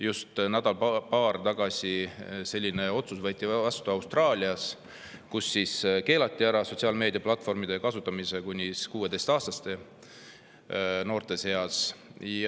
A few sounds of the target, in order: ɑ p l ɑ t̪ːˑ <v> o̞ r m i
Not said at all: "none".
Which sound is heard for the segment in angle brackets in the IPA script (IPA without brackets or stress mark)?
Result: f